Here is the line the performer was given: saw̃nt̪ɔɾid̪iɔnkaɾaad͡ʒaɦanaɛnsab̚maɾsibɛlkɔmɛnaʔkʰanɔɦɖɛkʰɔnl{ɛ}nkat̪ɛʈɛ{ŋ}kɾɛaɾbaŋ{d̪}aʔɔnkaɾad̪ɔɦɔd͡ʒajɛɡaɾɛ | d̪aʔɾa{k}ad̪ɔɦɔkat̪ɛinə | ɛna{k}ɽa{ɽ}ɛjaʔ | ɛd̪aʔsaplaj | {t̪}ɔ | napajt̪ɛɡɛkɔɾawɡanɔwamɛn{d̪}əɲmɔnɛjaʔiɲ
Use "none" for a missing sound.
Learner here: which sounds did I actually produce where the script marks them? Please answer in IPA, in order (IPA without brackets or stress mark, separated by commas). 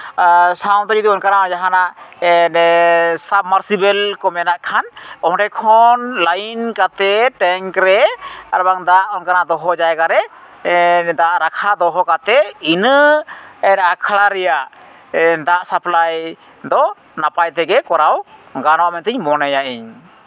a, ŋ, d̪, kʰ, kʰ, ɾ, d̪, t̪